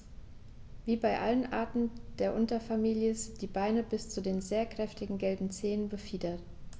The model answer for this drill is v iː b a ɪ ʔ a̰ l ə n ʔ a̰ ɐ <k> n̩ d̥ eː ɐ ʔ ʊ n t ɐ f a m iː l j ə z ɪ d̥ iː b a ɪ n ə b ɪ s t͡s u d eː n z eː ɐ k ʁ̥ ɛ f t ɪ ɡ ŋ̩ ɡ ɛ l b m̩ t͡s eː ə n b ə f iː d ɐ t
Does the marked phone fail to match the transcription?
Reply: yes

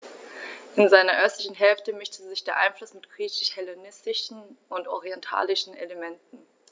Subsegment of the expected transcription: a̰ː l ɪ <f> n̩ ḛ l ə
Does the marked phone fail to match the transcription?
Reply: yes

